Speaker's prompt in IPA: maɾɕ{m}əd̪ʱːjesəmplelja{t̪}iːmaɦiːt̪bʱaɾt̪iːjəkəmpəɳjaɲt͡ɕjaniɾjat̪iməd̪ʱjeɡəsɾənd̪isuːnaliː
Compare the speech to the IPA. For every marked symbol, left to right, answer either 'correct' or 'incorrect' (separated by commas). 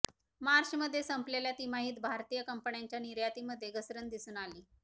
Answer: correct, correct